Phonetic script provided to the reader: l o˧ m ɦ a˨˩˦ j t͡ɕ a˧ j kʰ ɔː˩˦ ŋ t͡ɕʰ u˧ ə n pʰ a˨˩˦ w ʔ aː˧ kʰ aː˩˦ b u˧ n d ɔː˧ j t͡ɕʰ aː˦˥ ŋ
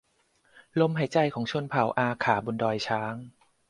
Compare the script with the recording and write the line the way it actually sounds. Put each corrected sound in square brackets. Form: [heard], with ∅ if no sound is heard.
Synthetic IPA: l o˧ m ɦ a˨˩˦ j t͡ɕ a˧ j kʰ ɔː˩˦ ŋ t͡ɕʰ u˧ ə n pʰ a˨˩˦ w ʔ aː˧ kʰ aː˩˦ b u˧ n d ɔː˧ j t͡ɕʰ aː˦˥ ŋ

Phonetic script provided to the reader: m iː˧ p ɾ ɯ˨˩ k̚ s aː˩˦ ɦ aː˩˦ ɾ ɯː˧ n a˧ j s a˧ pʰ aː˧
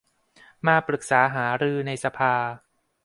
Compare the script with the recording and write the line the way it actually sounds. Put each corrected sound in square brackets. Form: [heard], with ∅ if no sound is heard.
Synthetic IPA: m [aː˧] p ɾ ɯ˨˩ k̚ s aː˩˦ ɦ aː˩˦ ɾ ɯː˧ n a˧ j s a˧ pʰ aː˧

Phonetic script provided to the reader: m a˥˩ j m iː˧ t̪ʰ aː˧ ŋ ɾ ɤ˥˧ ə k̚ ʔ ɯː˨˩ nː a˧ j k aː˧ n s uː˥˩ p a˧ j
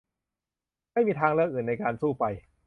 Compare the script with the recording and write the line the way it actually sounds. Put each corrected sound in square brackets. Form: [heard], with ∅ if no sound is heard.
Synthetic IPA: m a˥˩ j m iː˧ t̪ʰ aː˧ ŋ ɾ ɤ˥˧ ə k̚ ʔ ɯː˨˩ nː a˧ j k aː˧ n s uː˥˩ p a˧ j

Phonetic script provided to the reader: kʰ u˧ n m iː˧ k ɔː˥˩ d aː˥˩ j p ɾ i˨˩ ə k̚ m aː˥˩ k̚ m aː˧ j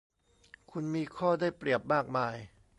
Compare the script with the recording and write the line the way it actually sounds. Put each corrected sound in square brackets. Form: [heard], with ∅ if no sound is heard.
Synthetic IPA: kʰ u˧ n m iː˧ [kʰ] ɔː˥˩ d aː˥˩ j p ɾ i˨˩ ə [p̚] m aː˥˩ k̚ m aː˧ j

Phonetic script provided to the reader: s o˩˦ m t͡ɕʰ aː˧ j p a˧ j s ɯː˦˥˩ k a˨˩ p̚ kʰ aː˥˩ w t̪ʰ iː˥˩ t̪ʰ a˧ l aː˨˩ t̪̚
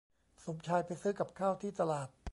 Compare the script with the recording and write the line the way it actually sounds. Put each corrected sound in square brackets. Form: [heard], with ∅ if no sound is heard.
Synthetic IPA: s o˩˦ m t͡ɕʰ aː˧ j p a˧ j s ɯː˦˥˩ k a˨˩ p̚ kʰ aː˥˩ w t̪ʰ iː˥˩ [t̪] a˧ l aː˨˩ t̪̚

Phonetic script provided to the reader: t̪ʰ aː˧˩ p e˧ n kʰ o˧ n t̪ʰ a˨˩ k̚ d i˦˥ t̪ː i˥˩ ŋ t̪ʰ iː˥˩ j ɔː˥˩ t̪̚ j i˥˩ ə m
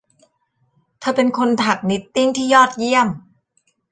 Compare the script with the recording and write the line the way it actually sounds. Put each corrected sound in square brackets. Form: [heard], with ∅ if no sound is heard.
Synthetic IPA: t̪ʰ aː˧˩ p e˧ n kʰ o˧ n t̪ʰ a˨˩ k̚ [n] i˦˥ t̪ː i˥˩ ŋ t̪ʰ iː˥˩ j ɔː˥˩ t̪̚ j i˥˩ ə m

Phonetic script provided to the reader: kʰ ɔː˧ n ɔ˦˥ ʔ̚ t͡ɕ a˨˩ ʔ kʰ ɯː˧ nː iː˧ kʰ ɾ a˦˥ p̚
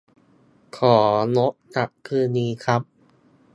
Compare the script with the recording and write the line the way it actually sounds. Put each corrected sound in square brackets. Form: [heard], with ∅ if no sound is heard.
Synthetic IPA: kʰ [ɔː˩˦] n [o˦˥] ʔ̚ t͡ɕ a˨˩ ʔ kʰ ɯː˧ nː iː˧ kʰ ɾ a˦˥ p̚

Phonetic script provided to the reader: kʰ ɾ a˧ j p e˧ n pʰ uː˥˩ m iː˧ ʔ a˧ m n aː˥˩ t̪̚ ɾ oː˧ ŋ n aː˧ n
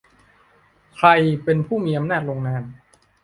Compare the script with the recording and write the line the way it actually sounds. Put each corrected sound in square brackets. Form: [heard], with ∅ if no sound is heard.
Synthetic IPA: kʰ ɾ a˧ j p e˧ n pʰ uː˥˩ m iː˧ ʔ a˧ m n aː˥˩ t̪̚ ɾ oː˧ ŋ n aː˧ n

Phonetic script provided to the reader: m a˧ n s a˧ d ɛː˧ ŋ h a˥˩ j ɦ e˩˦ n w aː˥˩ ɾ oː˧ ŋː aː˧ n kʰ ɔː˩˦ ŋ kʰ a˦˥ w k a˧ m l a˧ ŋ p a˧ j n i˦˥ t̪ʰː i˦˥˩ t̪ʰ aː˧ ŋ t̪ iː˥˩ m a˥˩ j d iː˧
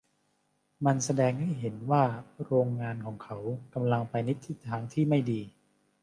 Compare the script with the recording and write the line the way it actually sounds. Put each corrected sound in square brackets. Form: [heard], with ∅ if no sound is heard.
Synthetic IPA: m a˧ n s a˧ d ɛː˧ ŋ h a˥˩ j ɦ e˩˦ n w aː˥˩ ɾ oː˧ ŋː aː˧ n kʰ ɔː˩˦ ŋ kʰ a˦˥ w k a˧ m l a˧ ŋ p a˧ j n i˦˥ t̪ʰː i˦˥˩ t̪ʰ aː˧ ŋ [t̪ʰ] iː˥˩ m a˥˩ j d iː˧

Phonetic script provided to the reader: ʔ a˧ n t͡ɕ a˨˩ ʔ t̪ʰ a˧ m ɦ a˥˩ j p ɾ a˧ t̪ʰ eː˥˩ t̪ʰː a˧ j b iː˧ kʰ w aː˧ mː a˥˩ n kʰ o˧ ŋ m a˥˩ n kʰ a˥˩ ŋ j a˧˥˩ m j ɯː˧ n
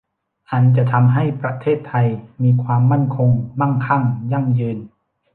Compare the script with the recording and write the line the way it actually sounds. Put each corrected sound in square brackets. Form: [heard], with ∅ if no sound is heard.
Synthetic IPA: ʔ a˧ n t͡ɕ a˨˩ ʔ t̪ʰ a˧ m ɦ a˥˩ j p ɾ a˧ t̪ʰ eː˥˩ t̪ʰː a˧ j [m] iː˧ kʰ w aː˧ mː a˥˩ n kʰ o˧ ŋ m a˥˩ n kʰ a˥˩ ŋ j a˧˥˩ [ŋ] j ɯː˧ n

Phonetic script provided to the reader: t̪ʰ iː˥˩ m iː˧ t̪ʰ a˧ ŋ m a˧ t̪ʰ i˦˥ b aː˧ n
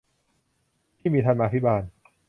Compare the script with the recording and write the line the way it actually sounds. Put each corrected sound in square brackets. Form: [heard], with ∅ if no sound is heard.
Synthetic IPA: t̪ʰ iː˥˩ m iː˧ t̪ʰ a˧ [n] m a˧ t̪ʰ i˦˥ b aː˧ n

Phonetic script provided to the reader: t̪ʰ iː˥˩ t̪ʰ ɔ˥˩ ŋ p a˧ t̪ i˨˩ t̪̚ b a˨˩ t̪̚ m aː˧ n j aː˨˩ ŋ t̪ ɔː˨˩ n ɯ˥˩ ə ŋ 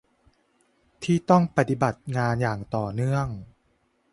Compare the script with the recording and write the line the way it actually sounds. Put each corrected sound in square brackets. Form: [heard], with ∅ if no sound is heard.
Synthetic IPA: t̪ʰ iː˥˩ [t̪] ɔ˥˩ ŋ p a˧ t̪ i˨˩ [∅] b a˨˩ t̪̚ [ŋ] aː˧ n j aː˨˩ ŋ t̪ ɔː˨˩ n ɯ˥˩ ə ŋ

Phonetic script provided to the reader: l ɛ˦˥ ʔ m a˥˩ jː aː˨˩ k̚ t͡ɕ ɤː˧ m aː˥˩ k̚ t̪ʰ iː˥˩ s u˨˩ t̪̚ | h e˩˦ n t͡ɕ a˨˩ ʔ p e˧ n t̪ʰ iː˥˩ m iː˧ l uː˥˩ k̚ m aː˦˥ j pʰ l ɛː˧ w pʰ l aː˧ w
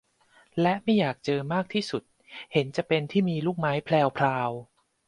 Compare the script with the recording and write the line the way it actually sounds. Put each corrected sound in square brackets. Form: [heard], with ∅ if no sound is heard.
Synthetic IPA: l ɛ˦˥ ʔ m a˥˩ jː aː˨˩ k̚ t͡ɕ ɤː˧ m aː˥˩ k̚ t̪ʰ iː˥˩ s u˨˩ t̪̚ | h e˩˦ n t͡ɕ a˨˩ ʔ p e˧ n t̪ʰ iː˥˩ m iː˧ l uː˥˩ k̚ m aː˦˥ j pʰ l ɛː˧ w pʰ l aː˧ w

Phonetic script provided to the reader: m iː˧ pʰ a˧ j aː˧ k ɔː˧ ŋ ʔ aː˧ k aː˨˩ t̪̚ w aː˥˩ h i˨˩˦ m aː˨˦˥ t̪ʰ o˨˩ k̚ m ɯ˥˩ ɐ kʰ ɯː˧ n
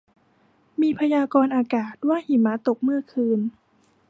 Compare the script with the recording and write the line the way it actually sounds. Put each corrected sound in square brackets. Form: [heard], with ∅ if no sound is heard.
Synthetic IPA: m iː˧ pʰ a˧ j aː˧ k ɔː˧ [n] ʔ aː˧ k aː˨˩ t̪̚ w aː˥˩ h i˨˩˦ m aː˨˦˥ [t̪] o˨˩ k̚ m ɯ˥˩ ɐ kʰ ɯː˧ n

